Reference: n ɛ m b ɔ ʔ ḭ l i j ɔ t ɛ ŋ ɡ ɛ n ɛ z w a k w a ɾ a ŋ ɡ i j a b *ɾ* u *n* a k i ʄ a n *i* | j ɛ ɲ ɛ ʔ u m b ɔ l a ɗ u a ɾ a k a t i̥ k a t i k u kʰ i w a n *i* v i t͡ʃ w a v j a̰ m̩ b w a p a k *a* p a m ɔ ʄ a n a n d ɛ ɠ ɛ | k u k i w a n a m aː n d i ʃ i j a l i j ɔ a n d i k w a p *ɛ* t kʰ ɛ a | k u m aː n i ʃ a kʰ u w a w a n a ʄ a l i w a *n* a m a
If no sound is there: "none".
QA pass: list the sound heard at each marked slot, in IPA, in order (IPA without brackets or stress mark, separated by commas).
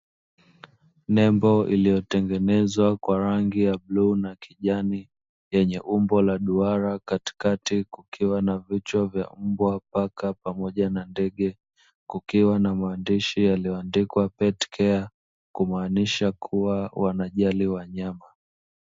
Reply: l, n, i, a, a, ɛ, ɲ